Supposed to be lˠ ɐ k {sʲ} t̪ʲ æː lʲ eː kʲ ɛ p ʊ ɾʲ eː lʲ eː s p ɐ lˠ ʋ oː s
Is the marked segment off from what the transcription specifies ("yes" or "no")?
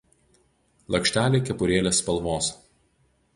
yes